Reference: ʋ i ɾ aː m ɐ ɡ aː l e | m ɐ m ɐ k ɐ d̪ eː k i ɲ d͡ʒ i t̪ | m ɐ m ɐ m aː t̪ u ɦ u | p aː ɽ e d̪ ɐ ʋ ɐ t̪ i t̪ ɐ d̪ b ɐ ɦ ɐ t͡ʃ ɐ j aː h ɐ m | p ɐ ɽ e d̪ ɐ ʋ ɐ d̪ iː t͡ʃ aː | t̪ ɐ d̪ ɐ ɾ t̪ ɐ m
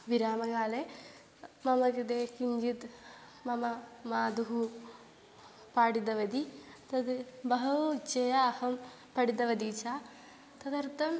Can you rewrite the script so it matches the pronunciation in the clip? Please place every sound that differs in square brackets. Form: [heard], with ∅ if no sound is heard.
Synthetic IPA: ʋ i ɾ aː m ɐ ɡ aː l e | m ɐ m ɐ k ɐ d̪ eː k i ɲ d͡ʒ i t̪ | m ɐ m ɐ m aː [d̪] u ɦ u | p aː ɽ [i] d̪ ɐ ʋ ɐ [d̪] i t̪ ɐ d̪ b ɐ ɦ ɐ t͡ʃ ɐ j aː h ɐ m | p ɐ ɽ [i] d̪ ɐ ʋ ɐ d̪ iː t͡ʃ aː | t̪ ɐ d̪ ɐ ɾ t̪ ɐ m

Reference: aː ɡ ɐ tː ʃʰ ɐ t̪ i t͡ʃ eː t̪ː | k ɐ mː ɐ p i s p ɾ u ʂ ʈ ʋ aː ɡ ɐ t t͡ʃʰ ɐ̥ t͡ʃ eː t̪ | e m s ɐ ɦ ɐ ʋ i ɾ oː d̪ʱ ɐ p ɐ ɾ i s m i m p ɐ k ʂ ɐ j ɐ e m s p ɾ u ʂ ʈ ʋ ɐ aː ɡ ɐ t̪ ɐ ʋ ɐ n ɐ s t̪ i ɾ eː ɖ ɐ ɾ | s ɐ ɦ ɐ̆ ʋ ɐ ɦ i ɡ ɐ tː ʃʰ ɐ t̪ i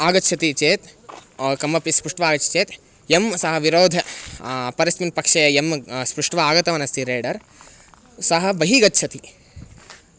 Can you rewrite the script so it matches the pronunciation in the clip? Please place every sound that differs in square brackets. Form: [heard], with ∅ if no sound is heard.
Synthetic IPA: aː ɡ ɐ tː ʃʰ ɐ t̪ i t͡ʃ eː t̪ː | k ɐ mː ɐ p i s p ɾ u ʂ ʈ ʋ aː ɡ ɐ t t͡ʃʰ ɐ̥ t͡ʃ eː t̪ | e m s ɐ ɦ ɐ ʋ i ɾ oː d̪ʱ ɐ p ɐ ɾ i s m i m p ɐ k ʂ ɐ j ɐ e m s p ɾ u ʂ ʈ ʋ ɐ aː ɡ ɐ t̪ ɐ ʋ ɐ n ɐ s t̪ i ɾ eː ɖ ɐ ɾ | s ɐ ɦ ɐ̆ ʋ ɐ ɦ i ɡ ɐ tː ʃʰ ɐ t̪ i

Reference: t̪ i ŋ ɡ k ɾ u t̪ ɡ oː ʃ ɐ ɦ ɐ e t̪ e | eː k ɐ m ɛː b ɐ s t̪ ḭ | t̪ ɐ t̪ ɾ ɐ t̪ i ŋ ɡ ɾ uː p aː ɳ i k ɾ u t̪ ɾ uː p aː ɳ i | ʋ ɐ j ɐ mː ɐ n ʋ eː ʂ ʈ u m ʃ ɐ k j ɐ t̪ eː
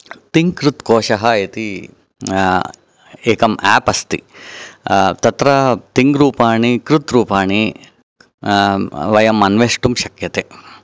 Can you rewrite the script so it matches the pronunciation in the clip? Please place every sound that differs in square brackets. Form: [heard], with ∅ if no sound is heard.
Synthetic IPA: t̪ i ŋ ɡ k ɾ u t̪ [k] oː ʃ ɐ ɦ ɐ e t̪ [i] | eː k ɐ m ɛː [p] ɐ s t̪ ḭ | t̪ ɐ t̪ ɾ ɐ t̪ i ŋ ɡ ɾ uː p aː ɳ i k ɾ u t̪ ɾ uː p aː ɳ i | ʋ ɐ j ɐ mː ɐ n ʋ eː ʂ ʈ u m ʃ ɐ k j ɐ t̪ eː

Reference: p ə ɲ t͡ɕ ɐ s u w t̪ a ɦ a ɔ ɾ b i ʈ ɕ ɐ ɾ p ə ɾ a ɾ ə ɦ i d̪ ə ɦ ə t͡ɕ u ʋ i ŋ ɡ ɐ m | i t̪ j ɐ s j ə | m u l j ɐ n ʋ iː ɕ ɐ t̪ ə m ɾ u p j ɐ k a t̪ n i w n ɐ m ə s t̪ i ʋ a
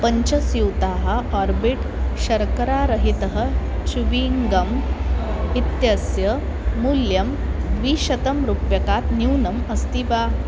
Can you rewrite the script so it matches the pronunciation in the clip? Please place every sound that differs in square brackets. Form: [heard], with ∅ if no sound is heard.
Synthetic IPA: p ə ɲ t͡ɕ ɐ s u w t̪ a ɦ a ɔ ɾ b i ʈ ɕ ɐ ɾ [k] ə ɾ a ɾ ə ɦ i [t̪] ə ɦ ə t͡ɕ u ʋ i ŋ ɡ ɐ m | i t̪ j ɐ s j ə | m u l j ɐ [m] ʋ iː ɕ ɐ t̪ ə m ɾ u p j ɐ k a t̪ n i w n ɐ m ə s t̪ i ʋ a

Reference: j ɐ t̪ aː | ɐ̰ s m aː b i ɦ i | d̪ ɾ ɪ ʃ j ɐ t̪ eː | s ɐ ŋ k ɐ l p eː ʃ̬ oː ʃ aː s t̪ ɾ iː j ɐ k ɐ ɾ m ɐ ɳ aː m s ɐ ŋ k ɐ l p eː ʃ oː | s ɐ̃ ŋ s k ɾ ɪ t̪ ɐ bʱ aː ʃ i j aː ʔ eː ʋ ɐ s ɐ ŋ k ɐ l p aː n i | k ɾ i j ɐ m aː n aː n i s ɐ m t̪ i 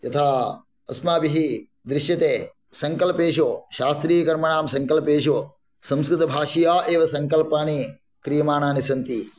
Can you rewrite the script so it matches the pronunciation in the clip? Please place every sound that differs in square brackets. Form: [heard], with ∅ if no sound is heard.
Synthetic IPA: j ɐ [t̪ʰ] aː | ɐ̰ s m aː b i ɦ i | d̪ ɾ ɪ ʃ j ɐ t̪ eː | s ɐ ŋ k ɐ l p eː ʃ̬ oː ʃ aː s t̪ ɾ iː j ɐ k ɐ ɾ m ɐ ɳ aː m s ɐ ŋ k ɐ l p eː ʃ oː | s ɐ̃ [m] s k ɾ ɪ t̪ ɐ bʱ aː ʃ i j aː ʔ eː ʋ ɐ s ɐ ŋ k ɐ l p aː n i | k ɾ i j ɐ m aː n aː n i s ɐ [n] t̪ i

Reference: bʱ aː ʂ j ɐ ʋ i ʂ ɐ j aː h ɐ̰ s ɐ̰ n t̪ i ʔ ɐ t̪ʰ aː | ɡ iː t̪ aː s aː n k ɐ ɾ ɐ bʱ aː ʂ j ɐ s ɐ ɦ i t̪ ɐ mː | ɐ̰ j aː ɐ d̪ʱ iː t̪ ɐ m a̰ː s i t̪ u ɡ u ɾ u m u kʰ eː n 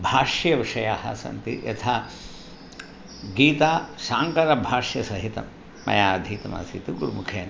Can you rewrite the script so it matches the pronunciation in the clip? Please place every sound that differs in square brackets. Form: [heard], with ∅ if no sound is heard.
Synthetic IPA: bʱ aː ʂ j ɐ ʋ i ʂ ɐ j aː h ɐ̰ s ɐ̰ n t̪ i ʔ ɐ t̪ʰ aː | ɡ iː t̪ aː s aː [ŋ] k ɐ ɾ ɐ bʱ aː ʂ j ɐ s ɐ ɦ i t̪ ɐ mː | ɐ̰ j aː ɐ d̪ʱ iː t̪ ɐ m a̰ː s i t̪ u ɡ u ɾ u m u kʰ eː n

